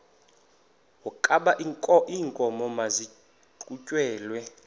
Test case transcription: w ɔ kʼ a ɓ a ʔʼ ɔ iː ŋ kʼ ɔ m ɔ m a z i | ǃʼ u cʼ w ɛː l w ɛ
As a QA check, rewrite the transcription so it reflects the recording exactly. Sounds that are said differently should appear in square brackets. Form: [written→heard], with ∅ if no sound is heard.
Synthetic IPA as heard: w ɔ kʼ a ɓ a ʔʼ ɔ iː ŋ kʼ ɔ m ɔ m a z i | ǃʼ u cʼ w ɛː l w ɛ